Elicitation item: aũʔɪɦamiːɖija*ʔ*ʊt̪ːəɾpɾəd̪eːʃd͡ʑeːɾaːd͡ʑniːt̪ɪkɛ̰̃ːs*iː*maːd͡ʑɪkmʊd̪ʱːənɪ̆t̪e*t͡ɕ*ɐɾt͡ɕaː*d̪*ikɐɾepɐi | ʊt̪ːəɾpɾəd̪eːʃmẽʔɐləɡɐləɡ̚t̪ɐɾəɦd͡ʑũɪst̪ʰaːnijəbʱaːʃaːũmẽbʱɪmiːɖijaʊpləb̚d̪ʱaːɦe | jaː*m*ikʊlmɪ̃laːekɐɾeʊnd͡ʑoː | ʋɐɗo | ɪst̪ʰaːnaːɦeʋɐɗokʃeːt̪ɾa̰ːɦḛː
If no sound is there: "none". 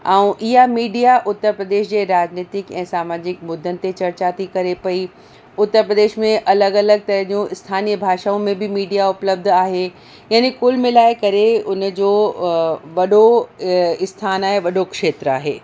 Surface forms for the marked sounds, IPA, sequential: ʔ, aː, t͡ɕ, t̪, n

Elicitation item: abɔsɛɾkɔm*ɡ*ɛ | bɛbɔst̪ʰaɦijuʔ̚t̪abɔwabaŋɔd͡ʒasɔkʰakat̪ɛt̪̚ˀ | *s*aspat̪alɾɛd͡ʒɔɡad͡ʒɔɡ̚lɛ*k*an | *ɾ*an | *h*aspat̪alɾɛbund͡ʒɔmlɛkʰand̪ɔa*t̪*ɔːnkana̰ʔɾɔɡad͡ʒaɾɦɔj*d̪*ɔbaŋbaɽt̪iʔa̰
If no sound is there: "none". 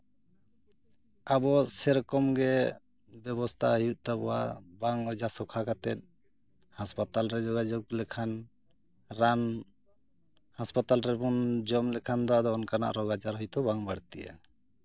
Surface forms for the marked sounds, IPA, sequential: ɡ, h, kʰ, ɾ, h, d̪, t̪

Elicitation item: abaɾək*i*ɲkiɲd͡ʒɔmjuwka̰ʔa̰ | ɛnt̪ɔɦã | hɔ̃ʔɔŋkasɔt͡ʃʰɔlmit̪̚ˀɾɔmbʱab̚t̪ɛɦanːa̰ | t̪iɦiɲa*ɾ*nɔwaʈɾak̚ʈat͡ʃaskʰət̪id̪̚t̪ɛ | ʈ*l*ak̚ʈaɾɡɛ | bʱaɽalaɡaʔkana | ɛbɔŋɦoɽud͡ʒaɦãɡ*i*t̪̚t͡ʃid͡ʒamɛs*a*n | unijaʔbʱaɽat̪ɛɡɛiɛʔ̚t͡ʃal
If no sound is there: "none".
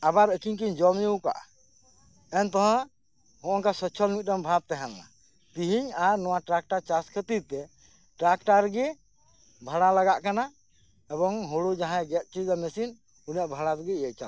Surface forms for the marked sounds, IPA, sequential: i, ɾ, ɾ, ɛ, i

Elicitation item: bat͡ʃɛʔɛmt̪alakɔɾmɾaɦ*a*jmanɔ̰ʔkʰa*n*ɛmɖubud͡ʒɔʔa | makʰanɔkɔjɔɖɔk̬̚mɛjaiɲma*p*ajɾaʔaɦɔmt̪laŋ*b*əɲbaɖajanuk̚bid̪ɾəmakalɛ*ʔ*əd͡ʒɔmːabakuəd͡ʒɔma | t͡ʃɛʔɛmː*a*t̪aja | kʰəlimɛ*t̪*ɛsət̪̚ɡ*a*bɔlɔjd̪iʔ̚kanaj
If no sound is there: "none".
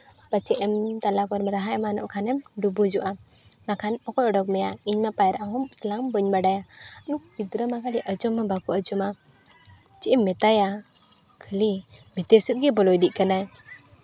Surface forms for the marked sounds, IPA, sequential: a, n, p, b, ʔ, ɛ, t̪, ɛ

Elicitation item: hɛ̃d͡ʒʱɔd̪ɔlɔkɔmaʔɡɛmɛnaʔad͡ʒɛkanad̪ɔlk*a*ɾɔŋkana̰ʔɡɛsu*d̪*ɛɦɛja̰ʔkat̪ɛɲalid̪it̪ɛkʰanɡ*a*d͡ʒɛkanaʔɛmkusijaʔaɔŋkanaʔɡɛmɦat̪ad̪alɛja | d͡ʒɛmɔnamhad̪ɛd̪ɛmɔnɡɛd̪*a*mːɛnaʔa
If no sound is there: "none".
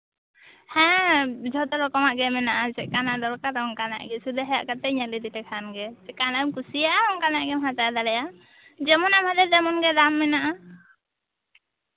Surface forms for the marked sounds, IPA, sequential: a, d̪, ɛ, a

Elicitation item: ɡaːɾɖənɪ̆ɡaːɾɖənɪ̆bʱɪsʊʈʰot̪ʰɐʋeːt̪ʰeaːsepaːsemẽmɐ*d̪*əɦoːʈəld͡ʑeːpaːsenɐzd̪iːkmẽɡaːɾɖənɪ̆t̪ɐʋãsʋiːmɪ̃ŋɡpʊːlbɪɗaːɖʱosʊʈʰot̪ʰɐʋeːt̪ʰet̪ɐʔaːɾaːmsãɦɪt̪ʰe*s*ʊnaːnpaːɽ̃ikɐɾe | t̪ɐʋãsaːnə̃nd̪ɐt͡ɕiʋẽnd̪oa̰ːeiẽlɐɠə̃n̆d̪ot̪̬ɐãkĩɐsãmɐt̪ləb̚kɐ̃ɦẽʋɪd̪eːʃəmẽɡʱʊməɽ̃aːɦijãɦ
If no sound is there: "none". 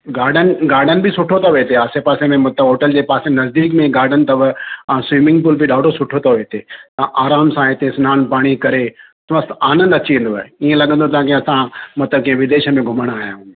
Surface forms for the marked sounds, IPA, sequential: t̪, s

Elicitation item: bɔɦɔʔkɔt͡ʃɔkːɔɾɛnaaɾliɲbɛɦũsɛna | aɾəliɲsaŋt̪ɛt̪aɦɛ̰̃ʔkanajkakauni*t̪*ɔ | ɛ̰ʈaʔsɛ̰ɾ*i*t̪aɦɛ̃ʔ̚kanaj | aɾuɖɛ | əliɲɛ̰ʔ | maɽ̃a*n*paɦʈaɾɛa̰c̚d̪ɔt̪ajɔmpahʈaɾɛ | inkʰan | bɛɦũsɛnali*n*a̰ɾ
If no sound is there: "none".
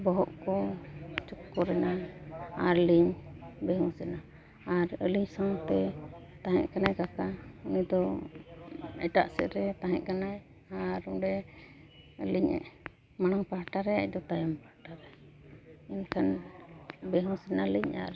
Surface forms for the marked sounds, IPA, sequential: d̪, ɛ, ŋ, ɲ

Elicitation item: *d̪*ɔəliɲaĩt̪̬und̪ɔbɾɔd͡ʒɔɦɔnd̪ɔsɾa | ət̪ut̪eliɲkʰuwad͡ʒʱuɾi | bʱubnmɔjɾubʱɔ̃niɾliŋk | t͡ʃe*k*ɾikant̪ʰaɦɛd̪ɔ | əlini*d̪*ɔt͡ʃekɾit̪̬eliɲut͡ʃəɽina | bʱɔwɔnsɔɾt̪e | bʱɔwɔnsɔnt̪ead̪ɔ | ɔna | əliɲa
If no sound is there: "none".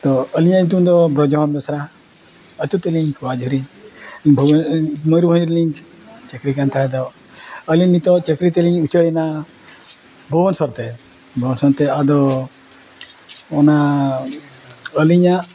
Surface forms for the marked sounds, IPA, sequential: t̪, k, t̪

